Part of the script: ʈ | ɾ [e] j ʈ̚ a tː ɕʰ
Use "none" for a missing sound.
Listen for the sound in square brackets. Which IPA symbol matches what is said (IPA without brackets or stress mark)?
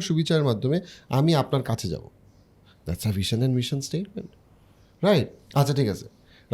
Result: a